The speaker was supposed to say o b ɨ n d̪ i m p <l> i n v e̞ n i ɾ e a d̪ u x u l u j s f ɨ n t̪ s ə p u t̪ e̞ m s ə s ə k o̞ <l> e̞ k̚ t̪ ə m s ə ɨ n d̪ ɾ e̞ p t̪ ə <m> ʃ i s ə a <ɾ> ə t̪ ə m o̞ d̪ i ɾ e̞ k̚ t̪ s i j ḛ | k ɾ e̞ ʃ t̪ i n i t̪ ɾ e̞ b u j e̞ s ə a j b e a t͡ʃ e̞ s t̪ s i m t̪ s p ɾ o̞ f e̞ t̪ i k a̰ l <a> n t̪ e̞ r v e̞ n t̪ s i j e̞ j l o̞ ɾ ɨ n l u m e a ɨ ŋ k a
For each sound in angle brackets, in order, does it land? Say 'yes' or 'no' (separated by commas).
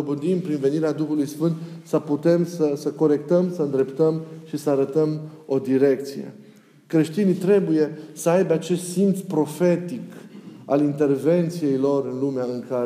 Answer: no, no, yes, yes, no